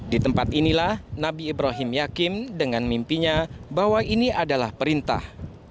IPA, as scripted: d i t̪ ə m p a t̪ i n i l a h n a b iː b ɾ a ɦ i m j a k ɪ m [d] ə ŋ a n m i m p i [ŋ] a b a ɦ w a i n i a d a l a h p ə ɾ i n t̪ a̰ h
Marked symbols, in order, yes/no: yes, no

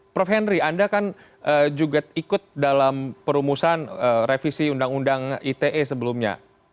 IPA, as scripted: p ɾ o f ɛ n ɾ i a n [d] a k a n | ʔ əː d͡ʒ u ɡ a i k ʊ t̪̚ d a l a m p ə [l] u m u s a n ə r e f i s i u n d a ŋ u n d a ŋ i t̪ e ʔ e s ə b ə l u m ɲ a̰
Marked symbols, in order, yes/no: yes, no

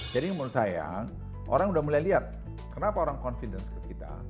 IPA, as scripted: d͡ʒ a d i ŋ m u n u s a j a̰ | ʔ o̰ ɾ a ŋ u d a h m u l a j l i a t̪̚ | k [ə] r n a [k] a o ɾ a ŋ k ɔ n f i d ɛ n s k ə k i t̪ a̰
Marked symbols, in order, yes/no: yes, no

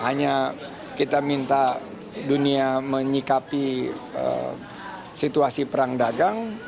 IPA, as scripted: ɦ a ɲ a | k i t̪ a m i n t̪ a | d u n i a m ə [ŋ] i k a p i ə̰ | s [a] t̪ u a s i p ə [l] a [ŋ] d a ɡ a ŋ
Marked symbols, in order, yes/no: no, no, no, yes

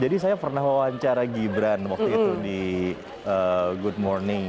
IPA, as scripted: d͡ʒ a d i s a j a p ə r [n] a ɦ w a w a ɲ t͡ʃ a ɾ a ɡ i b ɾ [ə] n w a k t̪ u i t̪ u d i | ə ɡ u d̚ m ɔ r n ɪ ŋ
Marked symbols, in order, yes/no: yes, no

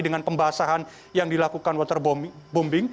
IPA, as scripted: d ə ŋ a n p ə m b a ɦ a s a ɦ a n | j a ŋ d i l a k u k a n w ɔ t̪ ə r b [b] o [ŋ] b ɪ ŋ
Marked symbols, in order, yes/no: yes, no

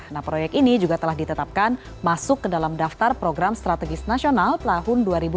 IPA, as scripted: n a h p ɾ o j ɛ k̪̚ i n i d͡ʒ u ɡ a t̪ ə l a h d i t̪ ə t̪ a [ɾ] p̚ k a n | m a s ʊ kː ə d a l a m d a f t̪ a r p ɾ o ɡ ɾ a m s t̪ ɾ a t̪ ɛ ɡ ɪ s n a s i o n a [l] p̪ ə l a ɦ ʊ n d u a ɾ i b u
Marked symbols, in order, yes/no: no, yes

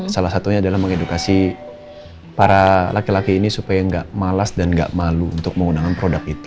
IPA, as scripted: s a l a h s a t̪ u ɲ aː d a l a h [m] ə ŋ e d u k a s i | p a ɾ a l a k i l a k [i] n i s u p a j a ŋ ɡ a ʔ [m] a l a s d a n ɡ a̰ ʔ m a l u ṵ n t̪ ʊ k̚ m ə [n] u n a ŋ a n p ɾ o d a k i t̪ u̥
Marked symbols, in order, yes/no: yes, no, yes, no

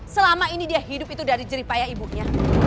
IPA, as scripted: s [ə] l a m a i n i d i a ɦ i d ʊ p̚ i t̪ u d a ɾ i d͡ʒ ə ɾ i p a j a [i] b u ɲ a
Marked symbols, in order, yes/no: yes, yes

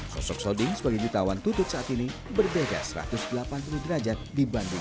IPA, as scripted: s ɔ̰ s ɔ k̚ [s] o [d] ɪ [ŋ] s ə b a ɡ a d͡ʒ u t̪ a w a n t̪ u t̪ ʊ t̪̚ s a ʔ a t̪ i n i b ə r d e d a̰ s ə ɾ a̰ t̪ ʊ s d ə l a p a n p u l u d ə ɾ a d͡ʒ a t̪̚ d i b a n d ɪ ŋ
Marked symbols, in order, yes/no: yes, yes, yes

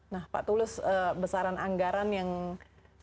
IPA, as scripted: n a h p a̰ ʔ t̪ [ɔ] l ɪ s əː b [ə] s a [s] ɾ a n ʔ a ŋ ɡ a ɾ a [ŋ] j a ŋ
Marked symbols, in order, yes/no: no, yes, no, no

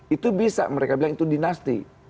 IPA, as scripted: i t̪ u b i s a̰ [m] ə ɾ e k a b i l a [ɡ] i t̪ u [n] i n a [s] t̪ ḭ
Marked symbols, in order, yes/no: yes, no, no, yes

